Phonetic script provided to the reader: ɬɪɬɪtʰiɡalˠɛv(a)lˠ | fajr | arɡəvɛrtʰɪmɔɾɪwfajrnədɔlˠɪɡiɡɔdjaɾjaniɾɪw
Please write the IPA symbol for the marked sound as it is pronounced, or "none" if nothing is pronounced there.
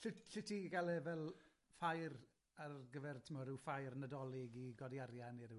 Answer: ɛ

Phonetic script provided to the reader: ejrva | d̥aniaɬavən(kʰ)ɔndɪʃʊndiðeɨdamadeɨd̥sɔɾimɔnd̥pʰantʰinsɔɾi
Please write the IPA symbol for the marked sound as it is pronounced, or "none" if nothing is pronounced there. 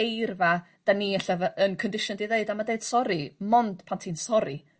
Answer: kʰ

